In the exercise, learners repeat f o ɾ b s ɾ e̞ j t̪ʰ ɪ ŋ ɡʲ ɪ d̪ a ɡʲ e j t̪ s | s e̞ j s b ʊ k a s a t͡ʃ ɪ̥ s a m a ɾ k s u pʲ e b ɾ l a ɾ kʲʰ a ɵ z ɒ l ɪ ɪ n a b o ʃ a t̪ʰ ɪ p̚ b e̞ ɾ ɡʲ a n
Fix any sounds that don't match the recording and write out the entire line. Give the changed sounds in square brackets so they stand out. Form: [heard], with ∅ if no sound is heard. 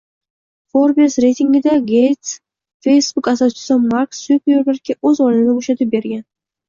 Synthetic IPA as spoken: f o ɾ b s ɾ e̞ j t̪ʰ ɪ ŋ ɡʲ ɪ d̪ a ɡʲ e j t̪ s | [f] e̞ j s b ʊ k a s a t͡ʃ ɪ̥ s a m a ɾ k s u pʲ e [∅] ɾ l a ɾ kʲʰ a ɵ z ɒ l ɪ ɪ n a b o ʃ a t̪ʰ ɪ p̚ b e̞ ɾ ɡʲ a n